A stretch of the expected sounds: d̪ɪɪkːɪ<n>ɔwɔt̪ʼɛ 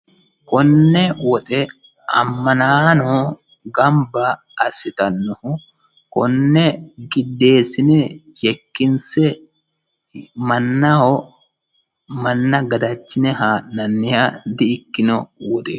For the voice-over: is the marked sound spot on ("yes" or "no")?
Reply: yes